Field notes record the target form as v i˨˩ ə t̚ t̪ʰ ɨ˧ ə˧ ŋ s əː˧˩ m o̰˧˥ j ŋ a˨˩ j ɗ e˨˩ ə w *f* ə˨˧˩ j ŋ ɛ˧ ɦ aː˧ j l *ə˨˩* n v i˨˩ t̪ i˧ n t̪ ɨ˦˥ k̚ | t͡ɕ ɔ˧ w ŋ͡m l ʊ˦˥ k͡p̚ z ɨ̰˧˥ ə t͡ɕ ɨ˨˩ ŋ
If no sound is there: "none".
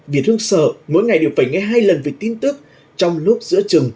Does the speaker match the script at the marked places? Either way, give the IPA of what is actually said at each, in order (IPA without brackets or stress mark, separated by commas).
f, ə˨˩